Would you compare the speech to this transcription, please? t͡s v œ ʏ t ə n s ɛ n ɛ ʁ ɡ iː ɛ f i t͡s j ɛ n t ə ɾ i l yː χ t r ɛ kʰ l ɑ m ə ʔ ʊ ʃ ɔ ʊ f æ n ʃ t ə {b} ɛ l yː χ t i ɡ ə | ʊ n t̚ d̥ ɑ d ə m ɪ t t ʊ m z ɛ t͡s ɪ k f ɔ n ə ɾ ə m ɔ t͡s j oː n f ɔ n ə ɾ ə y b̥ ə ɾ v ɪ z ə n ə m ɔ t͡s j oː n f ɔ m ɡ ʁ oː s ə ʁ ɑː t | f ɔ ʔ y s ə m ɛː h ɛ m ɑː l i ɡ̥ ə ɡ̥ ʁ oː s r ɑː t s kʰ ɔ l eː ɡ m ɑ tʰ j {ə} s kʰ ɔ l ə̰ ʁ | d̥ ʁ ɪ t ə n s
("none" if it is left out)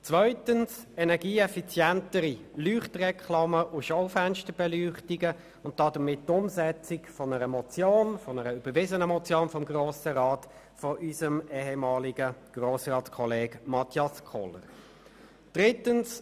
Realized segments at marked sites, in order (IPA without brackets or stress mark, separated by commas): b, ɑ